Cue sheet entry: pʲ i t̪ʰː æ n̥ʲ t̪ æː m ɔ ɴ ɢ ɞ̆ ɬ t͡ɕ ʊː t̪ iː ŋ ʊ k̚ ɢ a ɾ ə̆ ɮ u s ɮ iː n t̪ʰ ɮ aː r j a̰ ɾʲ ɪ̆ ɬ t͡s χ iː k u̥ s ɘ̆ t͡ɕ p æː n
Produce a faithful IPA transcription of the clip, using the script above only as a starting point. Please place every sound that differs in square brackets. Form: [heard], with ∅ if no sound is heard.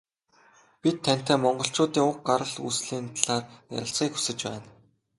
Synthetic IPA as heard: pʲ i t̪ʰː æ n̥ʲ t̪ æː m ɔ ɴ ɢ ɞ̆ ɬ t͡ɕ ʊː t̪ iː ŋ ʊ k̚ ɢ a ɾ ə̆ ɮ u s ɮ iː n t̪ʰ ɮ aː r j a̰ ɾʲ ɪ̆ ɬ t͡s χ iː k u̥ s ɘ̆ t͡ɕ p æː n